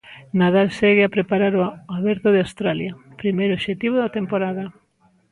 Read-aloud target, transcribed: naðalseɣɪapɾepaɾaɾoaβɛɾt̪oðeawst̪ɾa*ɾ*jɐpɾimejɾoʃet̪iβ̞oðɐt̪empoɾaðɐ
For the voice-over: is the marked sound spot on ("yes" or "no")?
no